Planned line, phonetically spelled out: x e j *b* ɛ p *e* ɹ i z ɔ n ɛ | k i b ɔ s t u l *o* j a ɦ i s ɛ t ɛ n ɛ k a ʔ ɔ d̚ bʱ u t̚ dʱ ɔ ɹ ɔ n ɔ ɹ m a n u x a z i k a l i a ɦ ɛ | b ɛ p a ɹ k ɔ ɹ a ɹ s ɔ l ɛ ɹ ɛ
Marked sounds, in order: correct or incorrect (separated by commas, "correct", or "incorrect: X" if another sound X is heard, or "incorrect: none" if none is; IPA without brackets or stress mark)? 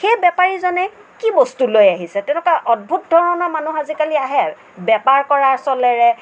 correct, incorrect: a, correct